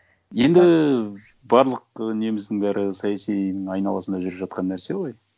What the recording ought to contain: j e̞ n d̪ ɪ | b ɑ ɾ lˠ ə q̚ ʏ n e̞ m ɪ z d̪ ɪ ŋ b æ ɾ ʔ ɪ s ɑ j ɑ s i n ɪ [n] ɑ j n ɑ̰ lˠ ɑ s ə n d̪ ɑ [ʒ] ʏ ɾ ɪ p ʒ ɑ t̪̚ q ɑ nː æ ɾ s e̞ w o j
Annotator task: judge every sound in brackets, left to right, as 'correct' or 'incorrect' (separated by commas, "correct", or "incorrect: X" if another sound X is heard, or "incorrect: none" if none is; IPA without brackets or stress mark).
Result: incorrect: ŋ, correct